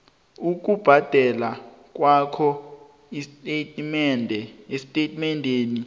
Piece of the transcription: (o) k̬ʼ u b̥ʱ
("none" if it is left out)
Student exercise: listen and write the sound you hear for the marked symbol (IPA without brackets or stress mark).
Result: u